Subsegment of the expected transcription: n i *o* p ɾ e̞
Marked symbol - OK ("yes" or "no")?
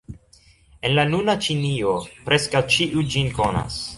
yes